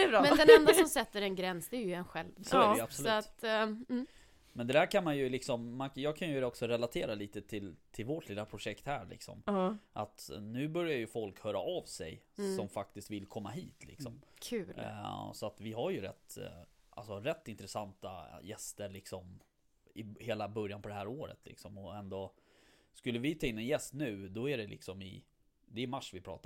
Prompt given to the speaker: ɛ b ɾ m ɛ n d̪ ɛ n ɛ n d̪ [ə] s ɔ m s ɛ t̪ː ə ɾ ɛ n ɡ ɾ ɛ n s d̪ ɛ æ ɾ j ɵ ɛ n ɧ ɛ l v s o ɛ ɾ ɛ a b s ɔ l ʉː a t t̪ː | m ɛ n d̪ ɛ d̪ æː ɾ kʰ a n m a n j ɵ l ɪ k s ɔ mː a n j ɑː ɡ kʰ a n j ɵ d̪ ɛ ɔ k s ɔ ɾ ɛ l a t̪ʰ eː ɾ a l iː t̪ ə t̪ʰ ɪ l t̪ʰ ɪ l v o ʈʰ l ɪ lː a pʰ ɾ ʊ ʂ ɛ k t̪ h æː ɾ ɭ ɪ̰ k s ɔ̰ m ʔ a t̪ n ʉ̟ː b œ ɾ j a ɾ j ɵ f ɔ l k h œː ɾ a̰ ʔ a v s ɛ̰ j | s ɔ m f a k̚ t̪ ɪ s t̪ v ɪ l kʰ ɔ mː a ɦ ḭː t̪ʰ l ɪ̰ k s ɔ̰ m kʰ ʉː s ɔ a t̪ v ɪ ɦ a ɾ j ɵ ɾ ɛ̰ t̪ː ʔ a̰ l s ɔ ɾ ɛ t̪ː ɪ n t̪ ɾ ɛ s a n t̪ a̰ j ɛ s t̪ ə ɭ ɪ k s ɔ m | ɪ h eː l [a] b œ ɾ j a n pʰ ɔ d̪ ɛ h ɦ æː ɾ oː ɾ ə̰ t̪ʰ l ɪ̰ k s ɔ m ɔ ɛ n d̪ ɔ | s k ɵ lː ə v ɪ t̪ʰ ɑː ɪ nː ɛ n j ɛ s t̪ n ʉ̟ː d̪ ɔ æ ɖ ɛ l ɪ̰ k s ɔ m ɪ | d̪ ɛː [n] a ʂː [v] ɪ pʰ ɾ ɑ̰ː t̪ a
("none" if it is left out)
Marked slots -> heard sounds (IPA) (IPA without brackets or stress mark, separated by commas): a, a, m, v